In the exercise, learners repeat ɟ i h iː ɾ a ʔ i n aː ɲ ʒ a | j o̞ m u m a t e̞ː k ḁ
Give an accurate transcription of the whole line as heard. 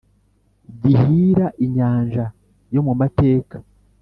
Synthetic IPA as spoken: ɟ i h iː ɾ a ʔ i ɲ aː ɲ ʒ a | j o̞ m u m a t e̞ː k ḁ